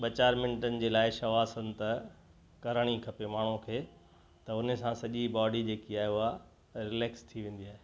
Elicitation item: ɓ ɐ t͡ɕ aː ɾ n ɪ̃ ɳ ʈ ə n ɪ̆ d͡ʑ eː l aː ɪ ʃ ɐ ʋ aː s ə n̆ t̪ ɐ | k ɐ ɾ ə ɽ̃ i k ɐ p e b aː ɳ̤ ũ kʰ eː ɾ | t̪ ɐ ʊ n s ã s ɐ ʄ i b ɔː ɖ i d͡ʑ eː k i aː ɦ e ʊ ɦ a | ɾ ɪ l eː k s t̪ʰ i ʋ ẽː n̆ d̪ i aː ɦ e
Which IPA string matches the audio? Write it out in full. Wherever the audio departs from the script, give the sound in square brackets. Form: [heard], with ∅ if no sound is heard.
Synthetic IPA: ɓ ɐ t͡ɕ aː ɾ [m] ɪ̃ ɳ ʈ ə n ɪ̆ d͡ʑ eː l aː ɪ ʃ ɐ ʋ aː s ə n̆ t̪ ɐ | k ɐ ɾ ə ɽ̃ i [kʰ] ɐ p e [m] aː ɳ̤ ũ kʰ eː [∅] | t̪ ɐ ʊ n s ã s ɐ ʄ i b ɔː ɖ i d͡ʑ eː k i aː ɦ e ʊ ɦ a | ɾ ɪ l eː k s t̪ʰ i ʋ ẽː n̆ d̪ i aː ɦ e